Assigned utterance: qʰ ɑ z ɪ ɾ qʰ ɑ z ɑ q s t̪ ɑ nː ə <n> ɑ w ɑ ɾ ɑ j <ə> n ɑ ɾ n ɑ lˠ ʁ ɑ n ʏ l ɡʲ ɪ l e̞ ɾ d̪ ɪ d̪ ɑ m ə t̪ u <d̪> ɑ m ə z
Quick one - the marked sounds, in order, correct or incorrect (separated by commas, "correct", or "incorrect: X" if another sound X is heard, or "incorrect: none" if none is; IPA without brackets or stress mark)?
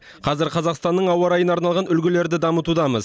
incorrect: ɴ, correct, correct